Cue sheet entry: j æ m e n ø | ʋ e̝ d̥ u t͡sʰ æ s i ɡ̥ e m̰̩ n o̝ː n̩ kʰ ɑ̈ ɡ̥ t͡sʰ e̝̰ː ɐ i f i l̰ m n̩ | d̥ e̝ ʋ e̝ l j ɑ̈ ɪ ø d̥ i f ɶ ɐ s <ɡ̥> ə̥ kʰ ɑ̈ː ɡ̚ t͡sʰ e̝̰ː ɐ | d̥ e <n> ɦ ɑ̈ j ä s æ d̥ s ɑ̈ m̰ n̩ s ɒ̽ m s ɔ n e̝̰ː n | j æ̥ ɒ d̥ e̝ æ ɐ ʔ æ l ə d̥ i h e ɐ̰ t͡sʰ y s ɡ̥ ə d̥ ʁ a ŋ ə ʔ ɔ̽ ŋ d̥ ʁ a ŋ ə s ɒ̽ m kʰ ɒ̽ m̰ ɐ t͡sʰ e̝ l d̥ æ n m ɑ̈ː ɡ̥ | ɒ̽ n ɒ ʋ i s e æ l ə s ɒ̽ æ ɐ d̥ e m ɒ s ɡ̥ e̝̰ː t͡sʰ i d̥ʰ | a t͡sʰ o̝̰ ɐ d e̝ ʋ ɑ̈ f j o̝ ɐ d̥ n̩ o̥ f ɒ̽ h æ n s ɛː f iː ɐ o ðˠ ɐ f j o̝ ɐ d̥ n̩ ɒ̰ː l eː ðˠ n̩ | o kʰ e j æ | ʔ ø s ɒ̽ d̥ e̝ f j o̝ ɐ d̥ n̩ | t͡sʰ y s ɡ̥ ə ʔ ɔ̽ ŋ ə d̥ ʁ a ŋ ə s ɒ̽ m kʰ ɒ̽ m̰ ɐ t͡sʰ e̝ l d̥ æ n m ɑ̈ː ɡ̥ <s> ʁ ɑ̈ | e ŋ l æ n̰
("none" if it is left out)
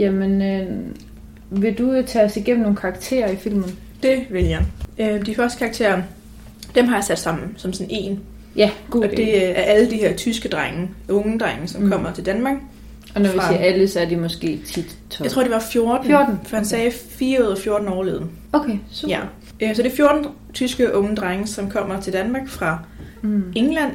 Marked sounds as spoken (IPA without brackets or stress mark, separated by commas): d̥, m, f